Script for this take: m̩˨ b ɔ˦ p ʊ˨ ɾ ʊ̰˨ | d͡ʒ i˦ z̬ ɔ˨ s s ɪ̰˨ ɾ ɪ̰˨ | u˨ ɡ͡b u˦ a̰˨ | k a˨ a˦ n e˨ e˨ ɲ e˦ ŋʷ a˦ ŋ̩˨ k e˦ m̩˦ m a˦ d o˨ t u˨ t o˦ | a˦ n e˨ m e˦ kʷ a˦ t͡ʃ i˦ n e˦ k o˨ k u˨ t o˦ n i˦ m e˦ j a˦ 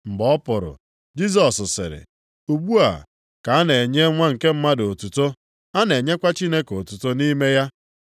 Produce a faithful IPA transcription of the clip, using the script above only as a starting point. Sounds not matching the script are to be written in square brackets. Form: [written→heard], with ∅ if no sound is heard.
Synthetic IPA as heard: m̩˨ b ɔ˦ p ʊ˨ ɾ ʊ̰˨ | d͡ʒ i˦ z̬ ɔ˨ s s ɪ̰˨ ɾ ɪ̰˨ | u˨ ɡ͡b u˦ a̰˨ | k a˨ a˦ n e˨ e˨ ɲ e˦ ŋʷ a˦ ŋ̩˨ k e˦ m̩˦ m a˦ d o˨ t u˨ t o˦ | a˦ n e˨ [m→ɲ] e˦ kʷ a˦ t͡ʃ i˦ n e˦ k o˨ [k→t] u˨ t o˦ n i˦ m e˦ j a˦